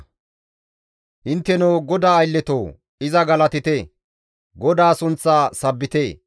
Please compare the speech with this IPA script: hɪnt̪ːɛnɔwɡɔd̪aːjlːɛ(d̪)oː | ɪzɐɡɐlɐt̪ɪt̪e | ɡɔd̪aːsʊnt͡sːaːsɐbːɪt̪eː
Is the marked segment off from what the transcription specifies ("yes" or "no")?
yes